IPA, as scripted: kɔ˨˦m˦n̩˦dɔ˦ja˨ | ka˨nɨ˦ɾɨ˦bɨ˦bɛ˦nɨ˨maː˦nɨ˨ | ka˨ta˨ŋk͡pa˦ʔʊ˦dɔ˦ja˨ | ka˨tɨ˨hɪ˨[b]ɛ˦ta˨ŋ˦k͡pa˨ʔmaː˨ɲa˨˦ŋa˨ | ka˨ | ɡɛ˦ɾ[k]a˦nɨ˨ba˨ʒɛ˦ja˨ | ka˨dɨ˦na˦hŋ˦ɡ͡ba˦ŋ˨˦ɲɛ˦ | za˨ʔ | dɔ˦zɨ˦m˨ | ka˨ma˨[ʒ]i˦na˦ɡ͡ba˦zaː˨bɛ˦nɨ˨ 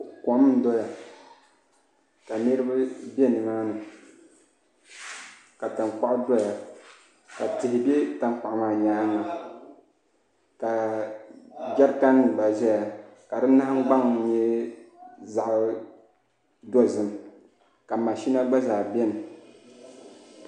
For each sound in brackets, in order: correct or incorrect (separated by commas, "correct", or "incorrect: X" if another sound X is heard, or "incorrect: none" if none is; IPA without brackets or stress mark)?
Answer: correct, correct, incorrect: ʃ